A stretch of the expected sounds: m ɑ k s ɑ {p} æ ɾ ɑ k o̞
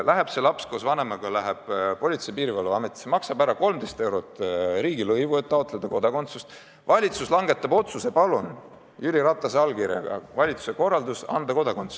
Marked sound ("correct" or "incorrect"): incorrect